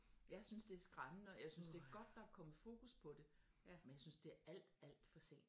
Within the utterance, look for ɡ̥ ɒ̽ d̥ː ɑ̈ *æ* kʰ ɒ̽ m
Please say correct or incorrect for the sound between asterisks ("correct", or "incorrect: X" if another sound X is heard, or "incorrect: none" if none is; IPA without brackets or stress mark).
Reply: correct